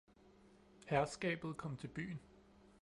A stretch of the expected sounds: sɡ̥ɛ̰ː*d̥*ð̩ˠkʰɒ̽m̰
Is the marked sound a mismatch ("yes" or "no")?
yes